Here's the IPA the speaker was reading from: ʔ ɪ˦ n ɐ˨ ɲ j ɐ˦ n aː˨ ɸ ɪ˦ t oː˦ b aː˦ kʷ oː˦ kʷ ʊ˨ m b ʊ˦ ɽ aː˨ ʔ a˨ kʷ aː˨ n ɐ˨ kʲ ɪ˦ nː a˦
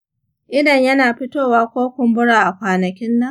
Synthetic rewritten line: ʔ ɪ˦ d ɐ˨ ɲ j ɐ˦ n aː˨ ɸ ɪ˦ t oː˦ w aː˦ kʷ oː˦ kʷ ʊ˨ m b ʊ˦ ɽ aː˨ ʔ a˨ kʷ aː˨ n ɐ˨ kʲ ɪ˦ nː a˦